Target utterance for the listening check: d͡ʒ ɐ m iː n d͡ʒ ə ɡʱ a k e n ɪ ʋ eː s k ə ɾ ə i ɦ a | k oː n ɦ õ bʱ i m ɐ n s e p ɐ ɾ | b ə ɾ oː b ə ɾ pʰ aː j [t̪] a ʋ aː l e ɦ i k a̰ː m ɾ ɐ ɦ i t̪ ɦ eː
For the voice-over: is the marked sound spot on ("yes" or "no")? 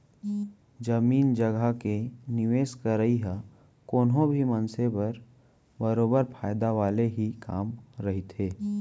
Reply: no